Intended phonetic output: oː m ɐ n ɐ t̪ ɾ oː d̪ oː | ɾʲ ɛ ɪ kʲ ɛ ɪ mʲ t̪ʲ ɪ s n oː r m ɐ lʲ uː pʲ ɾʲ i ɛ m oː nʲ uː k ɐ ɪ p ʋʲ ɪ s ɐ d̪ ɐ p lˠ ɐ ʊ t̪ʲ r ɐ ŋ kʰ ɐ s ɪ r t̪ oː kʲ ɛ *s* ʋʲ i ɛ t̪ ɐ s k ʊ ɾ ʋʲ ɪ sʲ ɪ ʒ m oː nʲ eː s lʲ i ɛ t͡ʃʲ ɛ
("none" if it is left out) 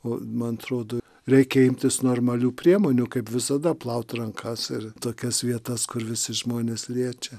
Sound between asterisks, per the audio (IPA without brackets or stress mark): s